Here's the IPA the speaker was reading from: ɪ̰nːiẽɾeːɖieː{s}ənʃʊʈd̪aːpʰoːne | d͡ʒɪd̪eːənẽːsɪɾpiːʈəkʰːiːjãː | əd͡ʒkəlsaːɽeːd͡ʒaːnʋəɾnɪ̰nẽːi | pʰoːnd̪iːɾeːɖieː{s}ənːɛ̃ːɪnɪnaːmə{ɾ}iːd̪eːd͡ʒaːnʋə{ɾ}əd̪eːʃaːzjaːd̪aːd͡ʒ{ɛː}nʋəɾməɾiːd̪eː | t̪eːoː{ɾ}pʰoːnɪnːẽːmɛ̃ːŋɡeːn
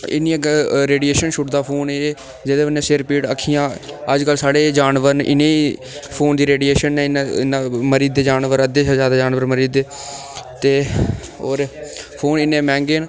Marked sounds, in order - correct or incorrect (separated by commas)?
incorrect, incorrect, correct, correct, incorrect, correct